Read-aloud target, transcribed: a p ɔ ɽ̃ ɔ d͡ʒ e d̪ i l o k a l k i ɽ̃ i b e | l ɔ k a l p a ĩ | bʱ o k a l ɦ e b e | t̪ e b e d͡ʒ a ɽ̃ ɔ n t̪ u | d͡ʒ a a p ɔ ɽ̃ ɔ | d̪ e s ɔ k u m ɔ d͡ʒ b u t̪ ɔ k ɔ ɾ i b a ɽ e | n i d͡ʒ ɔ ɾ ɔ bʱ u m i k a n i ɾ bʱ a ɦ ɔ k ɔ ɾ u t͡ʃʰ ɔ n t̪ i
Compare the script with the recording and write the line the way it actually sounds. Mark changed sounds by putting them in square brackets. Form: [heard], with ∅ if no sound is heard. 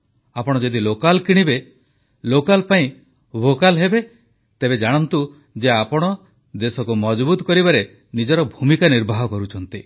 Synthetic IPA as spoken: a p ɔ ɽ̃ ɔ d͡ʒ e d̪ i l o k a l k i ɽ̃ i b e | l [o] k a l p a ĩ | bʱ o k a l ɦ e b e | t̪ e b e d͡ʒ a ɽ̃ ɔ n t̪ u | d͡ʒ [e] a p ɔ ɽ̃ ɔ | d̪ e s ɔ k u m ɔ d͡ʒ b u t̪ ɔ k ɔ ɾ i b a [ɾ] e | n i d͡ʒ ɔ ɾ ɔ bʱ u m i k a n i ɾ bʱ a ɦ ɔ k ɔ ɾ u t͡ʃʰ ɔ n t̪ i

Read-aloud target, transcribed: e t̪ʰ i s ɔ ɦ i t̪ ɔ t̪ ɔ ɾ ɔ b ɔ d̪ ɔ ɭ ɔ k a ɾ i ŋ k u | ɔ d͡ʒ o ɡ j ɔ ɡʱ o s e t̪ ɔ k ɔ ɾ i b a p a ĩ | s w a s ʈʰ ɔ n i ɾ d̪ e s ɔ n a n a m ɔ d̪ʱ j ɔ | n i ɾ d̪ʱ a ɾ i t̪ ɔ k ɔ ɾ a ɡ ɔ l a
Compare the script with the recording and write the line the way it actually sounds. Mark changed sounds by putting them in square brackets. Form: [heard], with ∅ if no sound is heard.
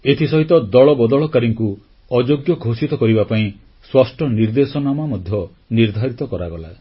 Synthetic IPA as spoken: e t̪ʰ i s ɔ ɦ i t̪ ɔ [d̪] ɔ [ɭ] ɔ b ɔ d̪ ɔ ɭ ɔ k a ɾ i ŋ k u | ɔ d͡ʒ o ɡ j ɔ ɡʱ o s [i] t̪ ɔ k ɔ ɾ i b a p a ĩ | s w a s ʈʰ ɔ n i ɾ d̪ e s ɔ n a [m] a m ɔ d̪ʱ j ɔ | n i ɾ d̪ʱ a ɾ i t̪ ɔ k ɔ ɾ a ɡ ɔ l a

